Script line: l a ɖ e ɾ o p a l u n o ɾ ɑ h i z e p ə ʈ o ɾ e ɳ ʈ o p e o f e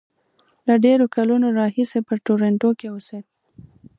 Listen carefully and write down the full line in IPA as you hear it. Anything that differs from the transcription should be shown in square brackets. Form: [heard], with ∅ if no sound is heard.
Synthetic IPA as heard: l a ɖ e ɾ o [k] a l u n o ɾ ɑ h i [s] e p ə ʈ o ɾ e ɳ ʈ o [k] e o [s] e